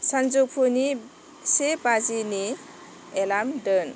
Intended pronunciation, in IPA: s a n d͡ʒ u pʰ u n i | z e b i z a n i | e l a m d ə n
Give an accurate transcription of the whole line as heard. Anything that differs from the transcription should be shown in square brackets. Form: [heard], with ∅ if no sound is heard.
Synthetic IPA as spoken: s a n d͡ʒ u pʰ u n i | [s] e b [a] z [i] n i | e l a m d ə n